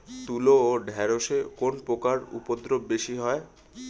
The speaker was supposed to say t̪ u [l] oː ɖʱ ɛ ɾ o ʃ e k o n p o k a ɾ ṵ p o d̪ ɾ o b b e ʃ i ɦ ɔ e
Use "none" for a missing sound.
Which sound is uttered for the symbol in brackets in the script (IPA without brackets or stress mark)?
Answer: l